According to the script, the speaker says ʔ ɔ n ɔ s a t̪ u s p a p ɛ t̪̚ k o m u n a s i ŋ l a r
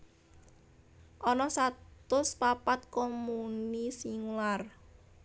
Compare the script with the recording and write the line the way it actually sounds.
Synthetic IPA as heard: ʔ ɔ n ɔ s a t̪ ʊ s p a p a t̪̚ k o m u n i s i ŋ l a r